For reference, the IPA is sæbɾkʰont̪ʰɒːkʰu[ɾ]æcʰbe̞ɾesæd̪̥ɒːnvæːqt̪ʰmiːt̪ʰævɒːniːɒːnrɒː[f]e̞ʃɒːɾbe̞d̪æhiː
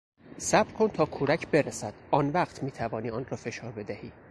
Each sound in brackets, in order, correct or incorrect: correct, correct

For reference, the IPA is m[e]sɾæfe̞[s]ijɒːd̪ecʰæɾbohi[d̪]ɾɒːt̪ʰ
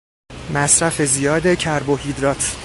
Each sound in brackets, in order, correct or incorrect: incorrect, incorrect, correct

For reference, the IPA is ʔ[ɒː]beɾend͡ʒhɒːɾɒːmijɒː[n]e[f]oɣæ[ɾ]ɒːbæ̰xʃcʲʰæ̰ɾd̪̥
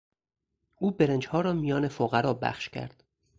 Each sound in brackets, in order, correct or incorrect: incorrect, correct, correct, correct

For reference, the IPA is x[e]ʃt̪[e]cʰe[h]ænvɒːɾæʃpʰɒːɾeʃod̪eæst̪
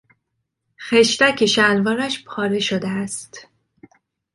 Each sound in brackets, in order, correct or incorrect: correct, incorrect, incorrect

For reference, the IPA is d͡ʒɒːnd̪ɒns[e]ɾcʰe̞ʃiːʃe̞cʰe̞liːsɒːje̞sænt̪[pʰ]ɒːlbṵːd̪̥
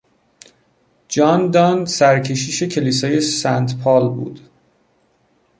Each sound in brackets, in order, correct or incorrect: incorrect, correct

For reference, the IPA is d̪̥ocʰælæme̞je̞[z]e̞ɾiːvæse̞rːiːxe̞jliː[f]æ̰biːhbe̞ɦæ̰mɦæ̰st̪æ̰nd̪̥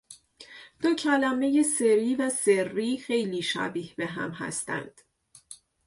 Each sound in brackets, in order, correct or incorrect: incorrect, incorrect

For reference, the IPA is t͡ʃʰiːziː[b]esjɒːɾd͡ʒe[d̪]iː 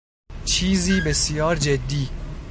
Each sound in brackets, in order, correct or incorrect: correct, incorrect

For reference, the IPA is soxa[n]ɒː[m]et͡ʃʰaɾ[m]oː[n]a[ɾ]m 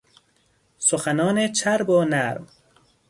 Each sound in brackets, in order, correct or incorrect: correct, incorrect, incorrect, correct, correct

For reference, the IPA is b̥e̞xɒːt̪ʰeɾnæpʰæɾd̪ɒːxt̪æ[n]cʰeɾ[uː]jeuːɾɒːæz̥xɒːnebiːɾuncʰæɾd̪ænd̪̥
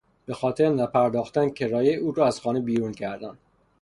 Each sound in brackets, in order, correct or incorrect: correct, incorrect

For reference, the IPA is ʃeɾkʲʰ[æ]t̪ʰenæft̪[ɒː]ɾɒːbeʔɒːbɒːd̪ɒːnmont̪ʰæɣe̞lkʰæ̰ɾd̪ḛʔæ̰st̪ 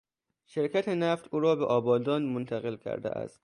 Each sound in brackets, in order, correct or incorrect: correct, incorrect

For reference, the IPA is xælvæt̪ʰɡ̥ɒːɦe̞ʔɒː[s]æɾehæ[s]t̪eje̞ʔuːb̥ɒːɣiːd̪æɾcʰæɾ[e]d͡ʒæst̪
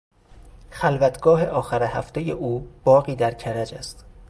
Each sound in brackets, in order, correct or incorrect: incorrect, incorrect, incorrect

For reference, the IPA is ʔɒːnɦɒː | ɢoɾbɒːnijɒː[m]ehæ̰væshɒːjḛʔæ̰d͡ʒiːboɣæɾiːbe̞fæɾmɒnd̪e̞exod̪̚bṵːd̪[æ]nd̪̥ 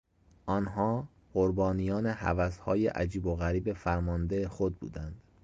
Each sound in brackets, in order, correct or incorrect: incorrect, correct

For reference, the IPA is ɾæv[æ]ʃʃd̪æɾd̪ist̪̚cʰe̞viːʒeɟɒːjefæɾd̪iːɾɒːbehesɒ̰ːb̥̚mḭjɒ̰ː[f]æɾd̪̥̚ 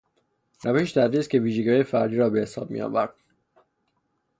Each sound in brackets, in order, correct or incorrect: incorrect, incorrect

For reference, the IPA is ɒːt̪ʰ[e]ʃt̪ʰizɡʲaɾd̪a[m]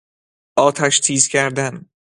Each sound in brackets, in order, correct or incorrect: incorrect, incorrect

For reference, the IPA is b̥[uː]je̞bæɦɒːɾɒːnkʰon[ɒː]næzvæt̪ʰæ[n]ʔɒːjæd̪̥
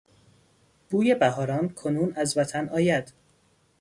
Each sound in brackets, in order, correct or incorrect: correct, incorrect, correct

